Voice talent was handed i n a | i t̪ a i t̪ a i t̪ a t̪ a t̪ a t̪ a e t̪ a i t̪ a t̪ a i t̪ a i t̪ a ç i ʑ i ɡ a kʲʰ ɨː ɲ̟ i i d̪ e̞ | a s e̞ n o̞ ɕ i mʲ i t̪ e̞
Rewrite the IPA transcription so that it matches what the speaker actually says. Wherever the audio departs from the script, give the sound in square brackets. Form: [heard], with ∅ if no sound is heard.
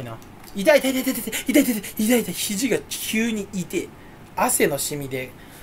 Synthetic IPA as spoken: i n a | i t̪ a i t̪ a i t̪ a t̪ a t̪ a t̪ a [i] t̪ a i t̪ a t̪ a i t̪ a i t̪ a ç i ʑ i ɡ a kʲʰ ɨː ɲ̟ i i [t̪] e̞ | a s e̞ n o̞ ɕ i mʲ i [d̪] e̞